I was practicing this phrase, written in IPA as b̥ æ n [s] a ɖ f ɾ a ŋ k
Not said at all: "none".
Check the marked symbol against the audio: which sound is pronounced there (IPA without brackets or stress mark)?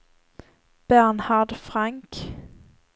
h